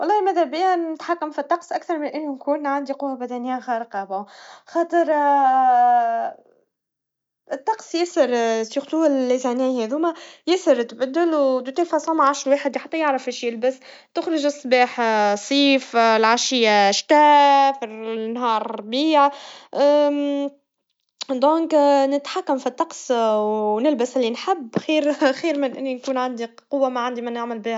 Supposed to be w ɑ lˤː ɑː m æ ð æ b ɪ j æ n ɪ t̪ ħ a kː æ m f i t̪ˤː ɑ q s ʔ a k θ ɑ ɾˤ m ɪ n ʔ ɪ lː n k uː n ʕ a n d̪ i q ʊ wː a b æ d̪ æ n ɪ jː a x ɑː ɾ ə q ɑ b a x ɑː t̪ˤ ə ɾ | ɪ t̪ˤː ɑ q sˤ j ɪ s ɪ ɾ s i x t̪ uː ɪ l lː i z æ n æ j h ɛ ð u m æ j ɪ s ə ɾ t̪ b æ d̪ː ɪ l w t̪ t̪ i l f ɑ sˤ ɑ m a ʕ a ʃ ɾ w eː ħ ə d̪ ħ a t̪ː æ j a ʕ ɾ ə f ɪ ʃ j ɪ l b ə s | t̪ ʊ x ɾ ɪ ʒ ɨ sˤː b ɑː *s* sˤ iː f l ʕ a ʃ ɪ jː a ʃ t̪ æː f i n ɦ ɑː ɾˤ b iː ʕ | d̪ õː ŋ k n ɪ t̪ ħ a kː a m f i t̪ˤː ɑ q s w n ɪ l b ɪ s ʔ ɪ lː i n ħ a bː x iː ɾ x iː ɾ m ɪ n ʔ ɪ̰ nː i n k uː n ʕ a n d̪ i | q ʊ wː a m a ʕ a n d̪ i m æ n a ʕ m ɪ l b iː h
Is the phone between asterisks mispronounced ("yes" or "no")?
yes